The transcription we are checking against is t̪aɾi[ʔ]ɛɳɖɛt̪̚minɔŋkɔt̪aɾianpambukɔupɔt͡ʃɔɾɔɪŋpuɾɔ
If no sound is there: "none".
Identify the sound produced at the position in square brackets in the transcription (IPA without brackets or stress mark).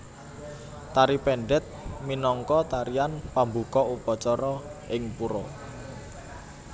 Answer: p